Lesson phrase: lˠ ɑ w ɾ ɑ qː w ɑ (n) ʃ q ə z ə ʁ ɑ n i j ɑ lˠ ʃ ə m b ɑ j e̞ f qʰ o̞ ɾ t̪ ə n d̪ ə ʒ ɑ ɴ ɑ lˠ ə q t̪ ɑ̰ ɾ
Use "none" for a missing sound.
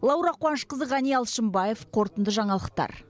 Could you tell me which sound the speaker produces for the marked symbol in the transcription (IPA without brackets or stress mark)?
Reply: n